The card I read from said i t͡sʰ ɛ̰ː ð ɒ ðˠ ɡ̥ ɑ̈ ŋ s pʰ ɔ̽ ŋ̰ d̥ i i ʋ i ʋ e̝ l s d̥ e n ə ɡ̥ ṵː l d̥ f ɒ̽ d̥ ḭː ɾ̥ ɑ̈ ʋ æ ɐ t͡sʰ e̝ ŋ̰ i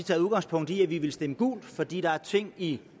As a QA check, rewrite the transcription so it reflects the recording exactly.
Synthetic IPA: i t͡sʰ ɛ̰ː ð u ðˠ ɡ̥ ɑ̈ ŋ s pʰ ɔ̽ ŋ̰ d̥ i æ ʋ i ʋ e̝ l s d̥ e m ə ɡ̥ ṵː l d̥ f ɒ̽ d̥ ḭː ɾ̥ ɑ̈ æ ɐ t͡sʰ e̝ ŋ̰ i